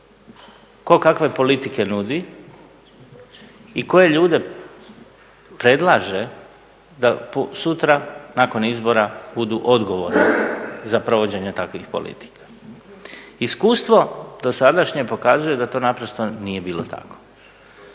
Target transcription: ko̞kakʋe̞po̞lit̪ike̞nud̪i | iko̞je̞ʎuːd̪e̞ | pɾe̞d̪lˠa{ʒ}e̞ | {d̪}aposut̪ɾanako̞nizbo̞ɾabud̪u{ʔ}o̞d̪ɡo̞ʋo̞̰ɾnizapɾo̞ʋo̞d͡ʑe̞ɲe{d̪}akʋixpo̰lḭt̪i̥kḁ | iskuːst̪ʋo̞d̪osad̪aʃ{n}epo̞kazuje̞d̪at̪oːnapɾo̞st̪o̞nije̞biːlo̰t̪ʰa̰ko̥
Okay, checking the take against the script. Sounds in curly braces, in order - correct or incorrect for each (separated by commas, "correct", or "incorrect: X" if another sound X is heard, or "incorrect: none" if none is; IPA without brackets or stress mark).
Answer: correct, correct, correct, incorrect: t̪, incorrect: ɲ